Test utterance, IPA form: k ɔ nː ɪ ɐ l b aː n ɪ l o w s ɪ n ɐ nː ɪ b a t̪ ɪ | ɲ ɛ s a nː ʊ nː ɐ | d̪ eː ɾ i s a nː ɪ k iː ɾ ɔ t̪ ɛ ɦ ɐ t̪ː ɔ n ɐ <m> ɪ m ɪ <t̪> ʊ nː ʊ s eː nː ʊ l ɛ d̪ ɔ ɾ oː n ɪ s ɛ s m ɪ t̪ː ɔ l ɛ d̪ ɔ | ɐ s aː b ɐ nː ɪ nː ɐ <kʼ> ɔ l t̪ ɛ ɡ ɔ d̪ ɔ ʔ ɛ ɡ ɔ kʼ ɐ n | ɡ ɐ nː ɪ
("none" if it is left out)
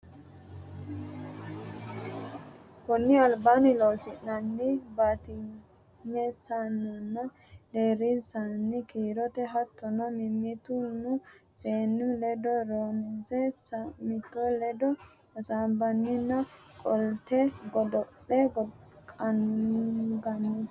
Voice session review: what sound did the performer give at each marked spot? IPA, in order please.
m, t̪, kʼ

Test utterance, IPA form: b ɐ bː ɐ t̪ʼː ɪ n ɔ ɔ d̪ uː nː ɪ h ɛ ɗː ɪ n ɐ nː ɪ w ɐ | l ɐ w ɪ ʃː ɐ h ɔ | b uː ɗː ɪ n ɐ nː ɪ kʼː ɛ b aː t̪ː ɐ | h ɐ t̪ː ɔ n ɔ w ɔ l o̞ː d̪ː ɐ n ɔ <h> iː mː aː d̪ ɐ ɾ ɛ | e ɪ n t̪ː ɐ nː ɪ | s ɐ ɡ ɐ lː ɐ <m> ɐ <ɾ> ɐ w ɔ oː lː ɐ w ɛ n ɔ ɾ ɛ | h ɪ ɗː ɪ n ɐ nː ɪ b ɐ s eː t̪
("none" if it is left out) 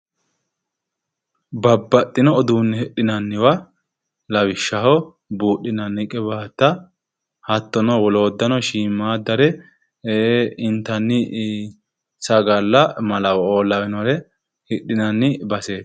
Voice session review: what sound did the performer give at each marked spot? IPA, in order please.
ʃ, m, l

